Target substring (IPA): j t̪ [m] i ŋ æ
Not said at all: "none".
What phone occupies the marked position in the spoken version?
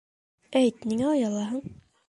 n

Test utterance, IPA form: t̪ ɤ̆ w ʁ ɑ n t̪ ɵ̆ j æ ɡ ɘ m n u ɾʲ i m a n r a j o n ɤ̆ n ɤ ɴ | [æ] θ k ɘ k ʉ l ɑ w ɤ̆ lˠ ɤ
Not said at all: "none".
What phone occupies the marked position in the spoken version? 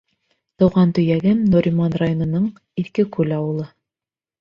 i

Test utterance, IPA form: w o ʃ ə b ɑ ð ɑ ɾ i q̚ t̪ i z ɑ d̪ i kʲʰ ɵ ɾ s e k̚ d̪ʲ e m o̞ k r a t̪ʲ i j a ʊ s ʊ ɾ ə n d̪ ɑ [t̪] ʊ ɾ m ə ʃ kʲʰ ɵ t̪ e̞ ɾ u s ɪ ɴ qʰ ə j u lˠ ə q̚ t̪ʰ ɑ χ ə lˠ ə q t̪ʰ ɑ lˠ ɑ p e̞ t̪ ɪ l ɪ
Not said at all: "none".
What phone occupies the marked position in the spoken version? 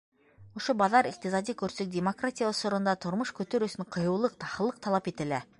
t̪ʰ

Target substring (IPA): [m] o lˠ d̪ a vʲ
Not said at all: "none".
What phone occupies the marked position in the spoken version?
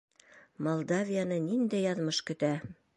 m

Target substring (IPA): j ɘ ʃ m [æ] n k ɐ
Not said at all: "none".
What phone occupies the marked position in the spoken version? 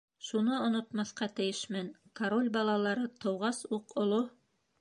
æ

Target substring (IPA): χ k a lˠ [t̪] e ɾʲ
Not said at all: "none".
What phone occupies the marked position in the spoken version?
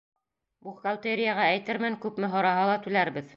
t̪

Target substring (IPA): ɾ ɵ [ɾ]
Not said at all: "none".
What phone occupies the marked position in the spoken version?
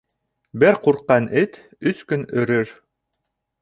ɾ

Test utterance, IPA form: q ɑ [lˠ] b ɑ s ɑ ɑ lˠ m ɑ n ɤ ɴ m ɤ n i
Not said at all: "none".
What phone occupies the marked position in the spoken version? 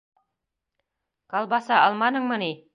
lˠ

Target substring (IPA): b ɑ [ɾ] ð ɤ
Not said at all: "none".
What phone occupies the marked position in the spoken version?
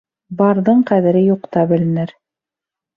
ɾ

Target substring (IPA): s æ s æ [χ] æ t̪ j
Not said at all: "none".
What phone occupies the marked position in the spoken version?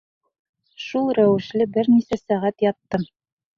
ʁ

